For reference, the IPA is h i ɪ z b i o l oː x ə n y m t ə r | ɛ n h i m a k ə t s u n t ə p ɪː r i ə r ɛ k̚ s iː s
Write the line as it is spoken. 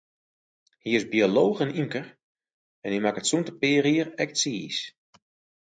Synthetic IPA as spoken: h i ɪ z b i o l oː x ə n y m k ə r | ɛ n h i m a k ə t s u n t ə p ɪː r i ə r ɛ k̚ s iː s